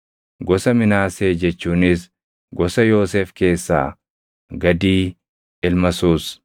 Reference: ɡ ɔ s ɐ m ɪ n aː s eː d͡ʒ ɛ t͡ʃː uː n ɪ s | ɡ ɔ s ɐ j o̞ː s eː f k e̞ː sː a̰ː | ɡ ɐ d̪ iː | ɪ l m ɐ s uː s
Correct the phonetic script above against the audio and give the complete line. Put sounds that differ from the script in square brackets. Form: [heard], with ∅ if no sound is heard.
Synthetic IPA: ɡ ɔ s ɐ m ɪ n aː s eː d͡ʒ ɛ t͡ʃː uː n ɪ s | ɡ ɔ s ɐ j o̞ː s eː f k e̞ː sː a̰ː | ɡ ɐ d̪ iː | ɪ l m ɐ s uː s

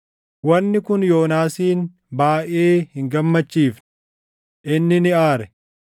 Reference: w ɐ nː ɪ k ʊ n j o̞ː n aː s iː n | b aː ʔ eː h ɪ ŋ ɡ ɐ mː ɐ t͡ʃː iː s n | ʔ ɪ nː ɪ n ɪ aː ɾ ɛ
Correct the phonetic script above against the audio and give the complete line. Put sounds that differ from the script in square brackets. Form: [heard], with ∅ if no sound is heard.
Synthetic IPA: w ɐ nː ɪ k ʊ n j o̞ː n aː s iː n | b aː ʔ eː h ɪ ŋ ɡ ɐ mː ɐ t͡ʃː iː [f] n | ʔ ɪ nː ɪ n ɪ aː ɾ ɛ

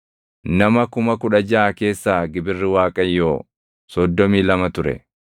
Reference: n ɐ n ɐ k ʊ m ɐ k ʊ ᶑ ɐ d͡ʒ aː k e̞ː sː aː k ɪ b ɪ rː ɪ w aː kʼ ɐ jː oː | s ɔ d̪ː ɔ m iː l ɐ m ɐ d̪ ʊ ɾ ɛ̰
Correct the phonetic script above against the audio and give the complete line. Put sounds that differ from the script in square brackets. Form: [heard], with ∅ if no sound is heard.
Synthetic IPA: n ɐ [m] ɐ k ʊ m ɐ k ʊ ᶑ ɐ d͡ʒ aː k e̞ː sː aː [ɡ] ɪ b ɪ rː ɪ w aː kʼ ɐ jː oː | s ɔ d̪ː ɔ m iː l ɐ m ɐ [t̪] ʊ ɾ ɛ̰

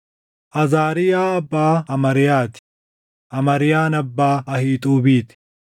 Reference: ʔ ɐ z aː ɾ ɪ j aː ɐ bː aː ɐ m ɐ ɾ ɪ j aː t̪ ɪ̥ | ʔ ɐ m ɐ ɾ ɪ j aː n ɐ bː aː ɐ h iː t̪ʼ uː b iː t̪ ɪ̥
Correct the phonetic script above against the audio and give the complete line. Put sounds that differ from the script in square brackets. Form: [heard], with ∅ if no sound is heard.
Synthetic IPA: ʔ ɐ z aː ɾ ɪ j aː ɐ bː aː ɐ m ɐ ɾ ɪ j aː t̪ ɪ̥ | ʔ ɐ m ɐ ɾ ɪ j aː n ɐ bː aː ɐ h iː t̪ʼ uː b iː t̪ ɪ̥

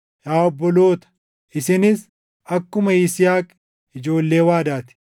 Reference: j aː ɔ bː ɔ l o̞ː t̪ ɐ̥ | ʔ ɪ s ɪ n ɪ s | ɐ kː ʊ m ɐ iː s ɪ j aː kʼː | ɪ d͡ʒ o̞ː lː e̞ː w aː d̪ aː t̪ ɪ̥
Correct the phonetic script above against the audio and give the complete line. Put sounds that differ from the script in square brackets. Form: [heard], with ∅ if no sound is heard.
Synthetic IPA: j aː ɔ bː ɔ l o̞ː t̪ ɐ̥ | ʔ ɪ s ɪ n ɪ s | ɐ kː ʊ m ɐ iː s ɪ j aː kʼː | ɪ d͡ʒ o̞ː lː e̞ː w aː d̪ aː t̪ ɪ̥

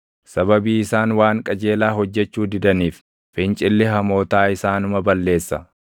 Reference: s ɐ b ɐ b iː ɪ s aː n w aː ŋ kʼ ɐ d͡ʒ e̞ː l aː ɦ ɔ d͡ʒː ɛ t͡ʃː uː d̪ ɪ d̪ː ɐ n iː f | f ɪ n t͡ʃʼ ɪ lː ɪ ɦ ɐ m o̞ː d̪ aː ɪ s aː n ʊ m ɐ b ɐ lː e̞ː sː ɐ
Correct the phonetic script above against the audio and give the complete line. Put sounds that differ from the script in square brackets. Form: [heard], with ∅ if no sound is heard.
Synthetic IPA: s ɐ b ɐ b iː ɪ s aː n w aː ŋ kʼ ɐ d͡ʒ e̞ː l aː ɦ ɔ d͡ʒː ɛ t͡ʃː uː d̪ ɪ [d̪] ɐ n iː f | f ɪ n t͡ʃʼ ɪ lː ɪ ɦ ɐ m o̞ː [t̪] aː ɪ s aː n ʊ m ɐ b ɐ lː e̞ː sː ɐ

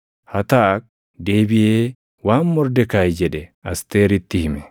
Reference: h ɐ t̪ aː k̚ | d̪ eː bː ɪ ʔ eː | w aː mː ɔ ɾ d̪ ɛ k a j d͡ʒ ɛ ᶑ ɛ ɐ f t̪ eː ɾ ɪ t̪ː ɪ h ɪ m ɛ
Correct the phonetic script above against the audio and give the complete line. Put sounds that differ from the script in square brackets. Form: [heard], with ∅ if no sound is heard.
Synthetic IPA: h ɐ t̪ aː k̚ | d̪ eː [b] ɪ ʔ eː | w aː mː ɔ ɾ d̪ ɛ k a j d͡ʒ ɛ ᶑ ɛ ɐ [s] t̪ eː ɾ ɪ t̪ː ɪ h ɪ m ɛ

